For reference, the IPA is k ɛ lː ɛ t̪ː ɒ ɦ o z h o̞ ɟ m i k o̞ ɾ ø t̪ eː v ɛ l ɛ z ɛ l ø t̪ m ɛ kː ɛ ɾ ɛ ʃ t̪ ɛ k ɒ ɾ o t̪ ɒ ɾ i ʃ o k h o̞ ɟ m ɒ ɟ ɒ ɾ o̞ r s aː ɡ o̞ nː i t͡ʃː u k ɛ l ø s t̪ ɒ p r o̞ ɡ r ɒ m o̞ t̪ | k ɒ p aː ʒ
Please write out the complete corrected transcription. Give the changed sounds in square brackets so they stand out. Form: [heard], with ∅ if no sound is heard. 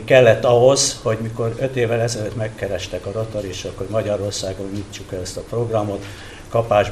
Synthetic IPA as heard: k ɛ lː ɛ t̪ː ɒ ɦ o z h o̞ ɟ m i k o̞ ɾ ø t̪ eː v ɛ l ɛ z ɛ l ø t̪ m ɛ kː ɛ ɾ ɛ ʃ t̪ ɛ k ɒ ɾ o t̪ [o] ɾ i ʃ o k h o̞ ɟ m ɒ ɟ ɒ ɾ o̞ r s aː ɡ o̞ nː i t͡ʃː u k ɛ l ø s t̪ ɒ p r o̞ ɡ r ɒ m o̞ t̪ | k ɒ p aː ʒ